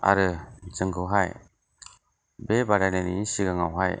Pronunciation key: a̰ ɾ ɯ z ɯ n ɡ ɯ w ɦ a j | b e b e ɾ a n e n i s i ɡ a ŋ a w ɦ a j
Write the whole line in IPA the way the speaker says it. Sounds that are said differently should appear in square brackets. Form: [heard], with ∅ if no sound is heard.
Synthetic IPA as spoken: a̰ ɾ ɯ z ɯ [ŋ] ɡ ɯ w ɦ a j | b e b [a] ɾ a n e n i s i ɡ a ŋ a w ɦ a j